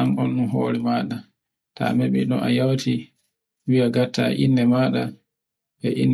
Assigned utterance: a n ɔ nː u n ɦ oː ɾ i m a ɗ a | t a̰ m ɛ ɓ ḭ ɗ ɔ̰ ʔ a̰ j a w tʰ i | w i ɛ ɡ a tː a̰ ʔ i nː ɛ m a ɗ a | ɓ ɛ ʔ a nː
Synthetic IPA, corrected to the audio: a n ɔ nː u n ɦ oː ɾ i m a ɗ a | t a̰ m ɛ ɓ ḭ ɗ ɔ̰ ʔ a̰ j a w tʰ i | w i a ɡ a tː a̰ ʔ i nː ɛ m a ɗ a | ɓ ɛ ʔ i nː